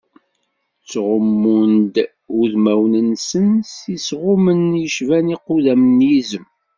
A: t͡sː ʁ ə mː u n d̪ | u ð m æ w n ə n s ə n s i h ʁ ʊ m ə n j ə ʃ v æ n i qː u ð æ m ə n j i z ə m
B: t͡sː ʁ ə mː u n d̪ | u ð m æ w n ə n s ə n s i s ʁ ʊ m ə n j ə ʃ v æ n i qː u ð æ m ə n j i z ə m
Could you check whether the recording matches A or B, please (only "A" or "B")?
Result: B